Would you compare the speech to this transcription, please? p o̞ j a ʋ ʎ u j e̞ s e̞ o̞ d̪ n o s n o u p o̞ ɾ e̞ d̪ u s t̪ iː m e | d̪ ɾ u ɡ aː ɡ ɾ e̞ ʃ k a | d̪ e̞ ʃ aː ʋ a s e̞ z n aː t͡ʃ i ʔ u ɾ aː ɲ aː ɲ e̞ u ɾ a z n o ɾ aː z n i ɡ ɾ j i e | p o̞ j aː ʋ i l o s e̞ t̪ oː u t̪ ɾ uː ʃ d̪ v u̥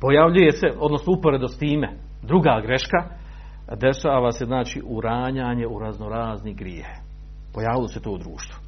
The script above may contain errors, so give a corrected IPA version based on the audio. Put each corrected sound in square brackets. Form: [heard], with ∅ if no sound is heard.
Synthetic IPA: p o̞ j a ʋ ʎ u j e̞ s e̞ o̞ d̪ n o s n o u p o̞ ɾ e̞ d̪ [o] s t̪ iː m e | d̪ ɾ u ɡ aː ɡ ɾ e̞ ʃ k a | d̪ e̞ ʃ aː ʋ a s e̞ z n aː t͡ʃ i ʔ u ɾ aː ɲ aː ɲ e̞ u ɾ a z n o ɾ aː z n i ɡ ɾ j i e | p o̞ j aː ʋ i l o s e̞ t̪ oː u [d̪] ɾ uː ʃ [t̪] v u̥